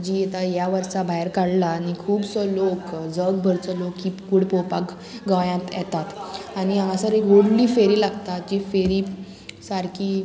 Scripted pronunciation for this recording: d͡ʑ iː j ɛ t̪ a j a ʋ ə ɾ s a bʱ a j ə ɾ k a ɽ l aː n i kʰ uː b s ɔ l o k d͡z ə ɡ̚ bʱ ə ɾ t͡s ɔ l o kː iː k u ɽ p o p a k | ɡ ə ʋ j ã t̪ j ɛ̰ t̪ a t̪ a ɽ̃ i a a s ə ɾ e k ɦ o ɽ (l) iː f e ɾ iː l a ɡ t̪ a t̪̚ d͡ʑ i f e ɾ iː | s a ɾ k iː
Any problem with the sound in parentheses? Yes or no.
no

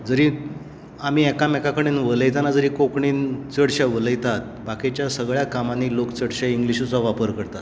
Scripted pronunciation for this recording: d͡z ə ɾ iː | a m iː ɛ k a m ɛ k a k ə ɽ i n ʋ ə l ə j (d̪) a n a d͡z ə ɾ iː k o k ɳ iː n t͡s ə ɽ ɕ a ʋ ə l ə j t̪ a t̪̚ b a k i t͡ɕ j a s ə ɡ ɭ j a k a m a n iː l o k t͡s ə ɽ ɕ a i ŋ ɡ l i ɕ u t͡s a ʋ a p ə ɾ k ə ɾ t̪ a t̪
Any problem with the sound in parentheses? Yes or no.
yes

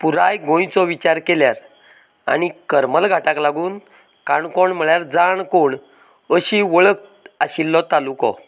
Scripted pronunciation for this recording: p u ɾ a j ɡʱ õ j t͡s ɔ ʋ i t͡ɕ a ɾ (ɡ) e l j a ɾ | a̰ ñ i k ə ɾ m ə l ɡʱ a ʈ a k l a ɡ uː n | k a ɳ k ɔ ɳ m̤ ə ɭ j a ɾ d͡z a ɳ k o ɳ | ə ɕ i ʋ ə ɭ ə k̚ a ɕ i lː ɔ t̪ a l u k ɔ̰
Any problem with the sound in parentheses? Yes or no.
yes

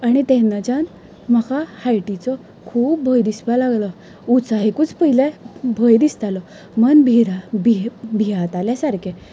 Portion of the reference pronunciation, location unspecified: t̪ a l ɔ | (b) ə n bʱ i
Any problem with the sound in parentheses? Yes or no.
yes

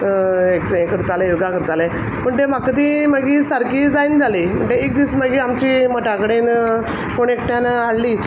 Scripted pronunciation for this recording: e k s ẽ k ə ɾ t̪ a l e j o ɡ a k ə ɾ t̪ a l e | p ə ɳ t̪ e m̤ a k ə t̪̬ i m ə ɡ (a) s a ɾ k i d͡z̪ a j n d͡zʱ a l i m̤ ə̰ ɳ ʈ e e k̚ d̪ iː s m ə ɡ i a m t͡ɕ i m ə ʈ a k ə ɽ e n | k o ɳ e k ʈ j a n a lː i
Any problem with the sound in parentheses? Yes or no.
yes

